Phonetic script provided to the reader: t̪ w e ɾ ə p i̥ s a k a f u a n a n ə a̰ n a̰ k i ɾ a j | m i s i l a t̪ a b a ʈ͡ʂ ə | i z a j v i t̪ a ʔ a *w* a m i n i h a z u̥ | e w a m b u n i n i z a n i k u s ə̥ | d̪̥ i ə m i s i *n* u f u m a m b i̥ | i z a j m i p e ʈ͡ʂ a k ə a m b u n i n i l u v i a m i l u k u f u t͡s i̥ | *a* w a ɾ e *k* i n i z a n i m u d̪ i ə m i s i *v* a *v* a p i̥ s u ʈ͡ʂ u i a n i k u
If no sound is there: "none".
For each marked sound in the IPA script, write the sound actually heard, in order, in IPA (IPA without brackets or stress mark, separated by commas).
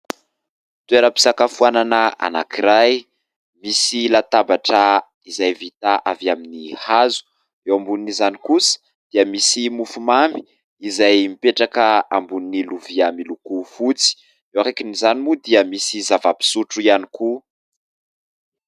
v, m, e, k, z, v